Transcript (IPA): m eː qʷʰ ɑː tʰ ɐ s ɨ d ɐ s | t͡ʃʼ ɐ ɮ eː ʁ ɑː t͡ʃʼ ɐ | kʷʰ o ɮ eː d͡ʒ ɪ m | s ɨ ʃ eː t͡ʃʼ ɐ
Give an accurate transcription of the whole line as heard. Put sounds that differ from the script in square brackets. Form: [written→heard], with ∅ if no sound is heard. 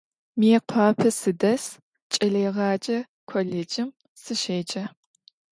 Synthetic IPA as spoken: m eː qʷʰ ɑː [tʰ→pʰ] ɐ s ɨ d ɐ s | t͡ʃʼ ɐ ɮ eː ʁ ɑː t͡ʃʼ ɐ | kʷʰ o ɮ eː d͡ʒ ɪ m | s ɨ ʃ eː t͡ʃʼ ɐ